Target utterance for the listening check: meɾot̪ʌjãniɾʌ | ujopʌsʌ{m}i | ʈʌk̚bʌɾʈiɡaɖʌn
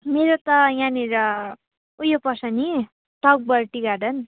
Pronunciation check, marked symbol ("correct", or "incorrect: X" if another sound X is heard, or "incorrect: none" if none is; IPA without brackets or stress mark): incorrect: n